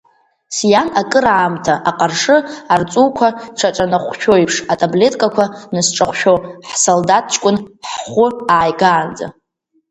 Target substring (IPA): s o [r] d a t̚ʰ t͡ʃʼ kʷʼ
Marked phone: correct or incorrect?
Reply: incorrect